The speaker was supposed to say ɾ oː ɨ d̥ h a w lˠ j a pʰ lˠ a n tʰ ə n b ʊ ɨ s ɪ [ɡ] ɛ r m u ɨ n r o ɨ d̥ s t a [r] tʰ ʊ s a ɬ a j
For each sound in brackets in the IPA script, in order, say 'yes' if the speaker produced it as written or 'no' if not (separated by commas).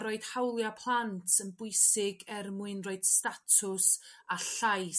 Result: yes, no